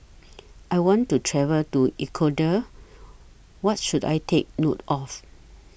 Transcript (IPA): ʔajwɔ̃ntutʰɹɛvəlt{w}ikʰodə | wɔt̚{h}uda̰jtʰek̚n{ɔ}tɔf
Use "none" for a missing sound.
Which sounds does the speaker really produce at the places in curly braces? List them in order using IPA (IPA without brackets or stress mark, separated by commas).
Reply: u, ʃ, o